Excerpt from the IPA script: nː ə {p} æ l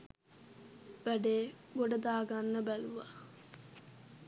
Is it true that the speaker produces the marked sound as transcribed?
no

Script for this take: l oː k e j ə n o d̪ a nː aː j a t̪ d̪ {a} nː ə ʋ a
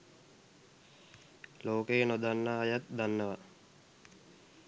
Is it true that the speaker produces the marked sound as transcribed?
yes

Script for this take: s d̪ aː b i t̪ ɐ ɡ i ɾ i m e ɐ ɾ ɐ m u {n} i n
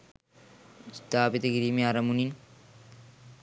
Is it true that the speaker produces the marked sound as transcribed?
yes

